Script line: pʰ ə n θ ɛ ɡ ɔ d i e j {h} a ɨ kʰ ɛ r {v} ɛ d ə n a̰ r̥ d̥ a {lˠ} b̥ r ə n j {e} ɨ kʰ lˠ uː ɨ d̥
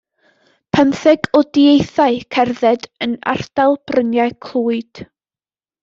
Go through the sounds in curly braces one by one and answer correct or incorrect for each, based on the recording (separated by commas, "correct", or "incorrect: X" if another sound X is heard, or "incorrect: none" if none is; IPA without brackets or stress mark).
incorrect: θ, incorrect: ð, correct, incorrect: a